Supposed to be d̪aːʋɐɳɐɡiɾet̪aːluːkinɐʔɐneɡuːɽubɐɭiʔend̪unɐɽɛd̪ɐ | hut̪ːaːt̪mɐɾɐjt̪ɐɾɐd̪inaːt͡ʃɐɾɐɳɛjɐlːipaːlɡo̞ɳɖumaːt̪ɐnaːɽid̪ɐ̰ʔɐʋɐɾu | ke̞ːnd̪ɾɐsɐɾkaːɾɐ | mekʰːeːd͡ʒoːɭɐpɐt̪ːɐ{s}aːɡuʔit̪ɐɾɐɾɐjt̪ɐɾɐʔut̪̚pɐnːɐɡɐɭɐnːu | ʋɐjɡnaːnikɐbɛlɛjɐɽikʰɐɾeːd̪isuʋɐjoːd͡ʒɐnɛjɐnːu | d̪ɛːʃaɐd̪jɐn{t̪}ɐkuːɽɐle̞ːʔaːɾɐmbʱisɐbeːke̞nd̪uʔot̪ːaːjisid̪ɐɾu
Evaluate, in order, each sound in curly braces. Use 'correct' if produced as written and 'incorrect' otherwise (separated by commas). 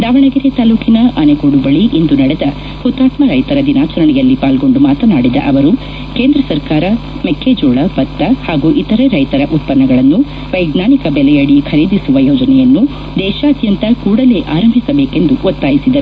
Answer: incorrect, correct